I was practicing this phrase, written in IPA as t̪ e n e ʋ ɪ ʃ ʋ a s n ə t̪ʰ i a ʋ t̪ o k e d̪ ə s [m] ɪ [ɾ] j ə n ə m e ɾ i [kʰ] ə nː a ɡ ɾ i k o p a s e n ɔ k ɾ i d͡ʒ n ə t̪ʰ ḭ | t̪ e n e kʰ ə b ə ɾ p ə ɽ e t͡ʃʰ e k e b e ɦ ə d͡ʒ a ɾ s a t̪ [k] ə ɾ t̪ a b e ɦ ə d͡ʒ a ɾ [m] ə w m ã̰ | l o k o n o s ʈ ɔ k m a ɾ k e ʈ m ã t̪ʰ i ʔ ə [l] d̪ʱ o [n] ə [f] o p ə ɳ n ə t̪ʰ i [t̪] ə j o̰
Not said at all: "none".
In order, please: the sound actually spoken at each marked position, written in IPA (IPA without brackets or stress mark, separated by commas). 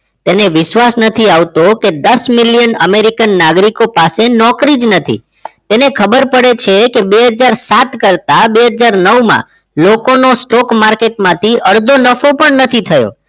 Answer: m, l, k, k, n, ɾ, n, f, t̪ʰ